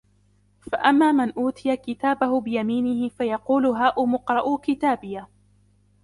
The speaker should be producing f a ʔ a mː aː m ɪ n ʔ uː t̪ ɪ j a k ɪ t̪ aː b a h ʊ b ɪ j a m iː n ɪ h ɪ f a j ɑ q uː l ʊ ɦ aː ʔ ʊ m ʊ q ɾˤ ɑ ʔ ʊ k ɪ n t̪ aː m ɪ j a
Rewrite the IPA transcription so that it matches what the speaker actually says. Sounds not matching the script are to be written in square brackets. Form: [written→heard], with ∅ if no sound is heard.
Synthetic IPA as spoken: f a ʔ a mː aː m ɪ n ʔ uː t̪ ɪ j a k ɪ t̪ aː b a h ʊ b ɪ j a m iː n ɪ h ɪ f a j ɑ q uː l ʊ ɦ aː ʔ ʊ m ʊ q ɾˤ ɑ ʔ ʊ k ɪ [n→∅] t̪ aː [m→b] ɪ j a